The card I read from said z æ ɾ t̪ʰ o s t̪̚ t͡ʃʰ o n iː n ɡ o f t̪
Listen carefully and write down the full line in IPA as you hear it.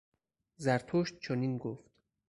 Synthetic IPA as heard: z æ ɾ t̪ʰ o ʃ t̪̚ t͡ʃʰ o n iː n ɡ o f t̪